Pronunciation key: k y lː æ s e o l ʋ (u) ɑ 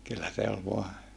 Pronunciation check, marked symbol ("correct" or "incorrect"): incorrect